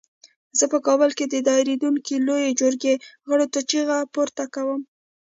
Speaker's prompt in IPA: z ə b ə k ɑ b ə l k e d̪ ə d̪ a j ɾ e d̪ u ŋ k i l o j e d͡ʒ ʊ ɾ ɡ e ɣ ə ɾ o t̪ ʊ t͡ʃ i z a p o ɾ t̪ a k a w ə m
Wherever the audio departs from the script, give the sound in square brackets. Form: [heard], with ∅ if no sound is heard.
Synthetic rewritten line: z ə [p] ə k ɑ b ə l k e d̪ ə d̪ [ɑ] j ɾ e d̪ u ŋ k i l o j e d͡ʒ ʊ ɾ ɡ e ɣ ə [ɽ] o t̪ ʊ t͡ʃ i [ɣ] a p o ɾ t̪ a k a w ə m